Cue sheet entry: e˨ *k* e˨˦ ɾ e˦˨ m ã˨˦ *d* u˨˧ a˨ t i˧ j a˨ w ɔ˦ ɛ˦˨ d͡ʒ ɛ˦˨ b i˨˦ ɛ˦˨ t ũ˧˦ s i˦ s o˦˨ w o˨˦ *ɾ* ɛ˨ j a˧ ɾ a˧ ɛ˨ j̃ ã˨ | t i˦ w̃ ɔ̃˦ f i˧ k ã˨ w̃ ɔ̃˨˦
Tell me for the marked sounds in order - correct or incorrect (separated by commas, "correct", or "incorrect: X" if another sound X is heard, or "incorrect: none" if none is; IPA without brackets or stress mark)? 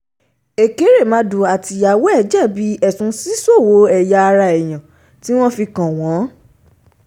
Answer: correct, correct, incorrect: none